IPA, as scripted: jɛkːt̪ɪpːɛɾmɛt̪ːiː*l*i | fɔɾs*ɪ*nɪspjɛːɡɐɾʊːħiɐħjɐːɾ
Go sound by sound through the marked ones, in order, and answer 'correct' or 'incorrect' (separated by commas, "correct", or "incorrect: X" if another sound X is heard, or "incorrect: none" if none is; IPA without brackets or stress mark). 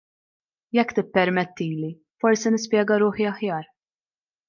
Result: correct, incorrect: i